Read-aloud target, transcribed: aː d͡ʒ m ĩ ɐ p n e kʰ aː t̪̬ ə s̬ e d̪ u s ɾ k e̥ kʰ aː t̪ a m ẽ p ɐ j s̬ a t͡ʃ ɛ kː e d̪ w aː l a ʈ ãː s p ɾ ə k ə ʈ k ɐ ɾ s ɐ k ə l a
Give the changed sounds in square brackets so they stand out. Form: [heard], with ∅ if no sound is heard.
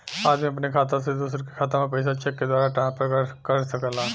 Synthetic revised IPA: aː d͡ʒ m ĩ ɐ p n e kʰ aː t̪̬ [a] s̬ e d̪ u s ɾ k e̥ kʰ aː t̪ a m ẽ p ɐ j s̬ a t͡ʃ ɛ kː e d̪ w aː [ɾ] a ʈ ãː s p ɾ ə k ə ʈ k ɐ ɾ s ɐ k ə l a